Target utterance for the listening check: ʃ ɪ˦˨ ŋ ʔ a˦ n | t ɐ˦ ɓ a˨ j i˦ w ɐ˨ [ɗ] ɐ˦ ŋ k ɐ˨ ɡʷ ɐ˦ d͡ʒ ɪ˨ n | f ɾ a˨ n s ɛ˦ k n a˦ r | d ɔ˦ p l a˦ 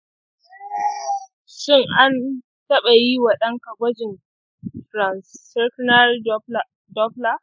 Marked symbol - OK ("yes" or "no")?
yes